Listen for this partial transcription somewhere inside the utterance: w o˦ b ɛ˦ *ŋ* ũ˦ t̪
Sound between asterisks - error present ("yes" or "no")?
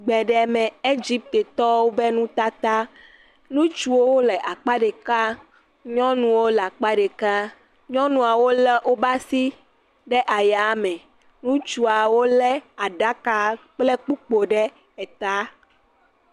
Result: yes